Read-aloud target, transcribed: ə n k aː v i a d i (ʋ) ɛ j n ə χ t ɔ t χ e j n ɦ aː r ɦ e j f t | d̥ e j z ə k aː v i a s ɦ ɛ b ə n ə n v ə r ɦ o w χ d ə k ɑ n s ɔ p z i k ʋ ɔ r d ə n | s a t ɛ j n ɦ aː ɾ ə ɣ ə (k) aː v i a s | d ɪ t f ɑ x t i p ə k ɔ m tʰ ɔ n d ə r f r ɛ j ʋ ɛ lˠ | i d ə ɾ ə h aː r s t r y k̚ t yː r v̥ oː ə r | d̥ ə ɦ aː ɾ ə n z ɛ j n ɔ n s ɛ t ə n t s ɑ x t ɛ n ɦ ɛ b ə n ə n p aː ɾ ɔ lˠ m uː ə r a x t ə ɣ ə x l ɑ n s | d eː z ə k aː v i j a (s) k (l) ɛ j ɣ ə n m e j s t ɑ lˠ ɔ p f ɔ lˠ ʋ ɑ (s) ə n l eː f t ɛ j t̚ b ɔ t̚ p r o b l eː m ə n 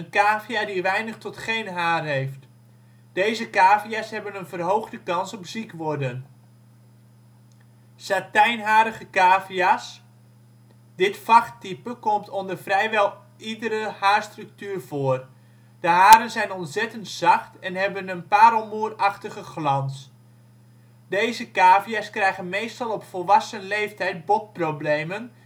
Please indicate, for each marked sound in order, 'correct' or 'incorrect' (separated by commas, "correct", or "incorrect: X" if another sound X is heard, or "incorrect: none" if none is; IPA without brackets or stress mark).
correct, correct, correct, incorrect: r, correct